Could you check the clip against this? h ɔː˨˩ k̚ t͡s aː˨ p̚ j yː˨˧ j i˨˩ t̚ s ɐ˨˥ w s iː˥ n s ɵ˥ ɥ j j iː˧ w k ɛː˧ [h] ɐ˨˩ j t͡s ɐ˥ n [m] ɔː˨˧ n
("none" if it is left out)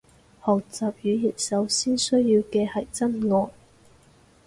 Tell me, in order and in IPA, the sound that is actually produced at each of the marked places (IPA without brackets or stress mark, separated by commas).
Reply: h, ŋ